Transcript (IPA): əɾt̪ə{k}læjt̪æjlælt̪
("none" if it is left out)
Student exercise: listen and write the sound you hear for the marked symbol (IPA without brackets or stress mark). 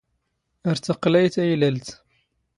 q